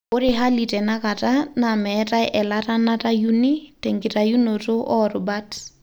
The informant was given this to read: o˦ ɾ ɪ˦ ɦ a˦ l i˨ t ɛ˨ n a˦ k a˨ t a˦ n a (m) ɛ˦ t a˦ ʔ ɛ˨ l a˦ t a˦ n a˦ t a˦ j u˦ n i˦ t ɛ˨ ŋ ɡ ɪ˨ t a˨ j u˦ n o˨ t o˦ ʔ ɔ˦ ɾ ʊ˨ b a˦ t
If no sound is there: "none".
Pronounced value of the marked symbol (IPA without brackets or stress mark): m